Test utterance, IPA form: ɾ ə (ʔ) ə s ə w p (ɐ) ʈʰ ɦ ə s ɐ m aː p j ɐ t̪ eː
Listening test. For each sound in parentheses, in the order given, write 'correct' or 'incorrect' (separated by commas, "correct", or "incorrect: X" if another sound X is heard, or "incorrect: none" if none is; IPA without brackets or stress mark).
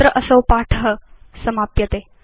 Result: correct, incorrect: a